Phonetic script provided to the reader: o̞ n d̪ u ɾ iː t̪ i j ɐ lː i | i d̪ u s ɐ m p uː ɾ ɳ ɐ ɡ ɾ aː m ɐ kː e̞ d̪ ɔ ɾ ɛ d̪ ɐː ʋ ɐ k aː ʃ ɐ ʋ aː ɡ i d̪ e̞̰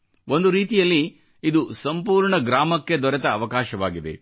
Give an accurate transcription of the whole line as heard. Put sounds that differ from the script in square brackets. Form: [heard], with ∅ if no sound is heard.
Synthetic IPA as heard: o̞ n d̪ u ɾ iː t̪ i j ɐ lː i | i d̪ u s ɐ m p uː ɾ ɳ ɐ ɡ ɾ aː m ɐ kː e̞ d̪ ɔ ɾ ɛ [t̪] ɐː ʋ ɐ k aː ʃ ɐ ʋ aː ɡ i d̪ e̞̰